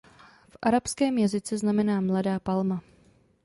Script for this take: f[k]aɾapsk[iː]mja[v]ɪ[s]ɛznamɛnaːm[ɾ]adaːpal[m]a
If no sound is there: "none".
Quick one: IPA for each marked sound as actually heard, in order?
ʔ, ɛː, z, t͡s, l, m

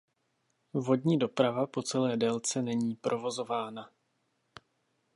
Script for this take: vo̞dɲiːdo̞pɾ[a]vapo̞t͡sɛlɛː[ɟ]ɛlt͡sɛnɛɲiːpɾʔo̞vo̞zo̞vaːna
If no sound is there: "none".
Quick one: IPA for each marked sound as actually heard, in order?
a, d

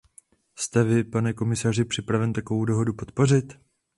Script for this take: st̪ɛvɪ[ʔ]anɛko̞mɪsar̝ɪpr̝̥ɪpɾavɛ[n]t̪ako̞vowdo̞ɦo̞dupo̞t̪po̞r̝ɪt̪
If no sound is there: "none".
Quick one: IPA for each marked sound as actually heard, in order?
p, n

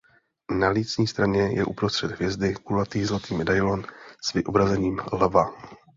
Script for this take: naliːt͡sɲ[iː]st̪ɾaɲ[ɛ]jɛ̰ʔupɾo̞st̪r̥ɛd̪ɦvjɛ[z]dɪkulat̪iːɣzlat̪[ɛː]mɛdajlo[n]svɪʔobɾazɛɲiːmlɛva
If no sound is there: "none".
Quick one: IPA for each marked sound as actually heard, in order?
iː, ɛ, z, iː, n

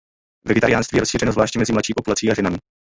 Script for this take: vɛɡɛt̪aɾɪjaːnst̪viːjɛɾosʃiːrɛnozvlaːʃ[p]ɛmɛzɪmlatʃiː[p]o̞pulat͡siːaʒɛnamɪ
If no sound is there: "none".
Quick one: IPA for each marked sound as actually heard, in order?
c, p

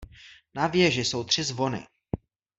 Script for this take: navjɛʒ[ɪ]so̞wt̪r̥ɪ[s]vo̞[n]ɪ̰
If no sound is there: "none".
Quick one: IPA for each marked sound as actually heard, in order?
ɪ, z, n

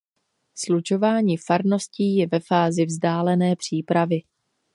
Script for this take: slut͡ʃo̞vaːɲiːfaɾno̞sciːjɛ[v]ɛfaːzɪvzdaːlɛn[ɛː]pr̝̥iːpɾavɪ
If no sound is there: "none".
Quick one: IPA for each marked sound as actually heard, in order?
v, ɛː

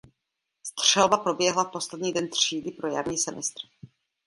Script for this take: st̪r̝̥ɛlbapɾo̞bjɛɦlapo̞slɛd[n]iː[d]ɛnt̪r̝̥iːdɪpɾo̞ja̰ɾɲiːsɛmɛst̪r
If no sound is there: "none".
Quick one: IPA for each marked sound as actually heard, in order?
ɲ, d

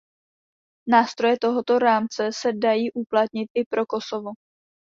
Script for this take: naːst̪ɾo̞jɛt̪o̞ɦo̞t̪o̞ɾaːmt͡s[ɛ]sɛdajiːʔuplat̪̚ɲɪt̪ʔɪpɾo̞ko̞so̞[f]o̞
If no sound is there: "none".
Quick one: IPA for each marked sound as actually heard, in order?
ɛ, v

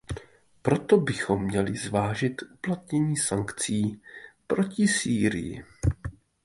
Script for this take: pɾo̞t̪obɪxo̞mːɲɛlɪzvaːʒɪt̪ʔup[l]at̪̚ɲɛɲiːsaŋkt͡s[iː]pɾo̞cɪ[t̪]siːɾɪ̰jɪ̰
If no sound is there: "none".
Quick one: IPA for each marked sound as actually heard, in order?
l, iː, none

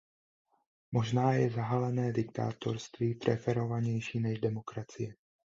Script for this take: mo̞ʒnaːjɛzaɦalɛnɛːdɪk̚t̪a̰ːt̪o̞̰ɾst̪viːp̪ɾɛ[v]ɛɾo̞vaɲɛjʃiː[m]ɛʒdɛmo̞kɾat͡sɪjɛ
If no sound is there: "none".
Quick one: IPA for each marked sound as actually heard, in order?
f, n

